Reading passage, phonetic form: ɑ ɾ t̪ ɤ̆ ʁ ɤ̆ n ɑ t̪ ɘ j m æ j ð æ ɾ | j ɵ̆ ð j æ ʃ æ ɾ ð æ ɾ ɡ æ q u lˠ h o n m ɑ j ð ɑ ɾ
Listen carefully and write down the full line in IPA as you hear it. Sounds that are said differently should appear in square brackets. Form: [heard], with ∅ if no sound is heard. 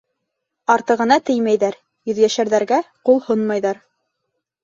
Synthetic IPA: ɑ ɾ t̪ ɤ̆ ʁ ɤ̆ n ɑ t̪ ɘ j m æ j ð æ ɾ | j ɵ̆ ð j æ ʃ æ ɾ ð æ ɾ ɡ æ q u lˠ h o n m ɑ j ð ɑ ɾ